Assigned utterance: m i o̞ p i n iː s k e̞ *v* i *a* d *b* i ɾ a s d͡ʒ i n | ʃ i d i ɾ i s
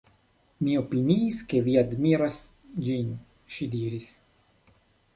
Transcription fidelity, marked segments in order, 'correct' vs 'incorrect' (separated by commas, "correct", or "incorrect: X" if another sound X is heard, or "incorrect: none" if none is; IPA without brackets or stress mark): correct, correct, incorrect: m